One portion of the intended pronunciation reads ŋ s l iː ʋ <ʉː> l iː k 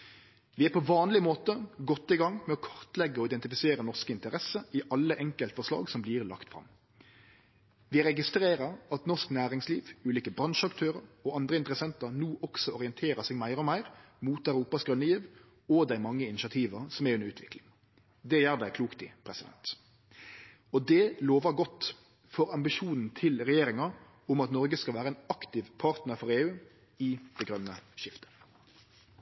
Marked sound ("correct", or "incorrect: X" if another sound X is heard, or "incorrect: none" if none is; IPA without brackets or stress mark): correct